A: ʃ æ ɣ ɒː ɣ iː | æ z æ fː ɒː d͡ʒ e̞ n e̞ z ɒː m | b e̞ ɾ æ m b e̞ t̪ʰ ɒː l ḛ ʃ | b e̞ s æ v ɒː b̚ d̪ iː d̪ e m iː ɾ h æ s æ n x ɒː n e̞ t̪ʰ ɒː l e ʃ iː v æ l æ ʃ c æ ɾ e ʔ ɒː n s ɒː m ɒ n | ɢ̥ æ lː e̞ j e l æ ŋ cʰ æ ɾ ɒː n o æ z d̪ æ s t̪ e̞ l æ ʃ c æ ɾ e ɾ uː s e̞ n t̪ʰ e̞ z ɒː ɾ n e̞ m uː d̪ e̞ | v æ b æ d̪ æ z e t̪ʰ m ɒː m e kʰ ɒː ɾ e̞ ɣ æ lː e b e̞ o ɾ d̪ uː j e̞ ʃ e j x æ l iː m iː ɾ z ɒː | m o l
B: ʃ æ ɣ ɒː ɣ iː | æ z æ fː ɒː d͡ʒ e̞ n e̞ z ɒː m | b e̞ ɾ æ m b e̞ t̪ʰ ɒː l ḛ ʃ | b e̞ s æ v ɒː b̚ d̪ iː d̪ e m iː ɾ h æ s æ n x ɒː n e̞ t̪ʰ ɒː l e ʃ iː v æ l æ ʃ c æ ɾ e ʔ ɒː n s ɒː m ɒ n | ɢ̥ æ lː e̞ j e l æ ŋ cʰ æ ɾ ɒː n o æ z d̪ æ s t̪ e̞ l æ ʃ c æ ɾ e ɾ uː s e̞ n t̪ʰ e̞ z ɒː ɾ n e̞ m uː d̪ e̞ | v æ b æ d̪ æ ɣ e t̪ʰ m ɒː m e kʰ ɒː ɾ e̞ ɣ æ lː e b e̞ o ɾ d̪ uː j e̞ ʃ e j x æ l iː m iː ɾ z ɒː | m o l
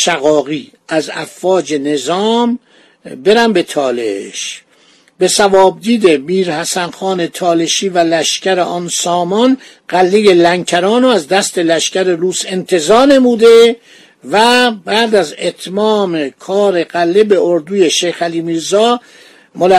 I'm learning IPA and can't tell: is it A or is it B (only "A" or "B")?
A